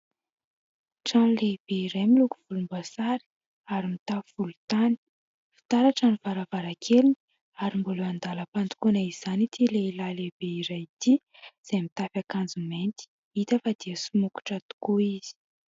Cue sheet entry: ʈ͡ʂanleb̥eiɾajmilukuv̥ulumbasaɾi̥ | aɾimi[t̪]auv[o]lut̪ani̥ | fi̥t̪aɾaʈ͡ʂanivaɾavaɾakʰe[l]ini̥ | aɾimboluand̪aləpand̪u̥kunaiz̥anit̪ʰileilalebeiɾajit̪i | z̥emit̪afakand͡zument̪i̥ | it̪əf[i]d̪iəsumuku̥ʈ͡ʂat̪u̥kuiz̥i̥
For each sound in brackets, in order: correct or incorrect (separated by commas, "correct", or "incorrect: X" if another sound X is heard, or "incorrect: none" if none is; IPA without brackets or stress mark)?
correct, incorrect: u, correct, incorrect: a